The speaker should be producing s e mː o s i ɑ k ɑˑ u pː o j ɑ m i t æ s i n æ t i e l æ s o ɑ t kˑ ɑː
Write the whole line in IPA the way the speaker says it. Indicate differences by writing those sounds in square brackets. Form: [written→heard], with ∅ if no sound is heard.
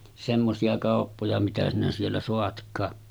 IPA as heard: s e mː o s i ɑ k ɑˑ [u→o] pː o j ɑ m i t æ s i n æ [t→s] i e [l→lː] æ s o ɑ t kˑ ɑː